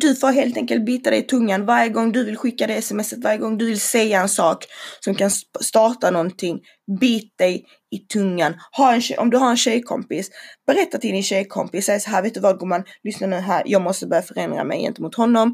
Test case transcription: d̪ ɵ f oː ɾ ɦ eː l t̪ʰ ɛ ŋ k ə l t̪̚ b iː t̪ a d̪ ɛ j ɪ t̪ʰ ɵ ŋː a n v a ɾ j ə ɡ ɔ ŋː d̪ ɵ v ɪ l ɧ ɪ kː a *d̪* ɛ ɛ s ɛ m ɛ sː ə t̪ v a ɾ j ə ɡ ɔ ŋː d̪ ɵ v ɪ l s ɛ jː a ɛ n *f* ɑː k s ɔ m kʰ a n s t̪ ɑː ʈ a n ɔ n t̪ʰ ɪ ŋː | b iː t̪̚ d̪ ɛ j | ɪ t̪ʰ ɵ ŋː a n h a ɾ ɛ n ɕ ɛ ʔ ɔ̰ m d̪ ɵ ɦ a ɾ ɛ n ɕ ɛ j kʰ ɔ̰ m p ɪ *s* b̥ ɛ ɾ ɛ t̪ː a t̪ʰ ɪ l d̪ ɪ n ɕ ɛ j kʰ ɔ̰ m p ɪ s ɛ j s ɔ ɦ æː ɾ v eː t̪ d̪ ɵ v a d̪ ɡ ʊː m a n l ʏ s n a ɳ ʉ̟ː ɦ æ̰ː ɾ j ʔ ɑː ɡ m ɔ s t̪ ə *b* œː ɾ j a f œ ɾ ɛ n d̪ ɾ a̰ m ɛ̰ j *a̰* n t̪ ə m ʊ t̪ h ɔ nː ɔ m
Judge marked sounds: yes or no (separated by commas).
yes, no, yes, yes, no